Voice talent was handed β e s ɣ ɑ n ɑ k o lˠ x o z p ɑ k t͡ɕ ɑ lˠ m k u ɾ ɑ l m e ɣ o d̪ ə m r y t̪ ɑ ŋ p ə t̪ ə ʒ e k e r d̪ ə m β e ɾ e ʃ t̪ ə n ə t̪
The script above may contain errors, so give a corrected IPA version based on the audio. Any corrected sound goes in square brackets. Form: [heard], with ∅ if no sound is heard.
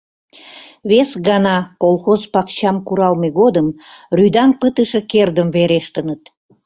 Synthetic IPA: β e s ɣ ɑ n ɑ k o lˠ x o z p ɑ k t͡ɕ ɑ [∅] m k u ɾ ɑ l m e ɣ o d̪ ə m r y [d̪] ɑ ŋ p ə t̪ ə [ʃ] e k e r d̪ ə m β e ɾ e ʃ t̪ ə n ə t̪